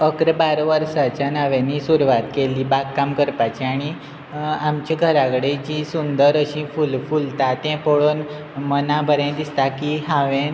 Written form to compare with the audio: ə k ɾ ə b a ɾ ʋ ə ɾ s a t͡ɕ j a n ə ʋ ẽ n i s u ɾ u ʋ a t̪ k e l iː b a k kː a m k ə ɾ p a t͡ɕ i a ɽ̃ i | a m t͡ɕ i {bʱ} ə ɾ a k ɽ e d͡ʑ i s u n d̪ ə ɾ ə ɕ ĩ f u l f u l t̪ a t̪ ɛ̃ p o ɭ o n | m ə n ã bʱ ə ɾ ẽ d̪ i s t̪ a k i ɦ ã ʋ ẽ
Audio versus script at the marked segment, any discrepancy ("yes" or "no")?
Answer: yes